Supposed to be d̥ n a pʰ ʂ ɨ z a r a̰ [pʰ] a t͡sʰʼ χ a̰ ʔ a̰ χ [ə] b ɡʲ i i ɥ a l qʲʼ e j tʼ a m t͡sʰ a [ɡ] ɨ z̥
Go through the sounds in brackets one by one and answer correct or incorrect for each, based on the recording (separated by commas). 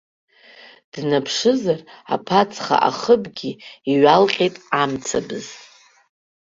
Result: correct, correct, incorrect